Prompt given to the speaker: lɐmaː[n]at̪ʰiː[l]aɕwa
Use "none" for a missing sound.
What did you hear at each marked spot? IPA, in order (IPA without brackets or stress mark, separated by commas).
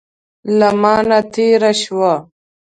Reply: n, ɾ